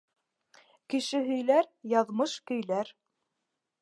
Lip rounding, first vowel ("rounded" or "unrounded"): unrounded